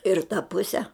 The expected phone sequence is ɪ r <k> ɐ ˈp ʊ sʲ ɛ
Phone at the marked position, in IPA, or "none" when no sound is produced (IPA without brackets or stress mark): t